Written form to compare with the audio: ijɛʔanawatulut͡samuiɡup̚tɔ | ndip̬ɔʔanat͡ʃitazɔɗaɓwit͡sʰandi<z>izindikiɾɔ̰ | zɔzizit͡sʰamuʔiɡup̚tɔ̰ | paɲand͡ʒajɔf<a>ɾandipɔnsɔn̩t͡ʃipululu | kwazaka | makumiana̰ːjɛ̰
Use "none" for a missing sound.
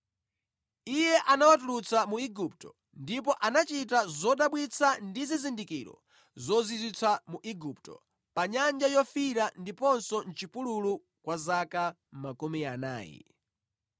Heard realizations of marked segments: z, i

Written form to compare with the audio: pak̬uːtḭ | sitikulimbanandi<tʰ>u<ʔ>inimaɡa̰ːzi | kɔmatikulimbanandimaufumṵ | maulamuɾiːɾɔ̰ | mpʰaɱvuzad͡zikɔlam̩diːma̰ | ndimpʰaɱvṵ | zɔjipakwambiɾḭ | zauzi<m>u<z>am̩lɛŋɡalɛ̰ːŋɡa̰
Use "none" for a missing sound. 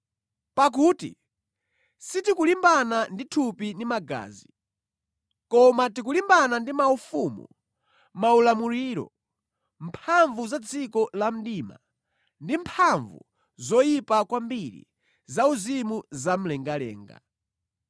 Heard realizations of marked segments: tʰ, p, m, z

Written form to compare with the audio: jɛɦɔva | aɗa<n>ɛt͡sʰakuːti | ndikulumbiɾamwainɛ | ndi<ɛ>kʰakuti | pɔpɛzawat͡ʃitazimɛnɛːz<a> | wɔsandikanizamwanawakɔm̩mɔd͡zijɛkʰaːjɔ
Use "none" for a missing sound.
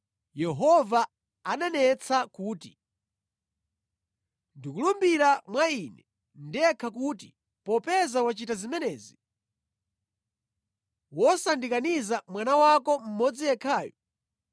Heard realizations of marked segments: n, ɛ, i

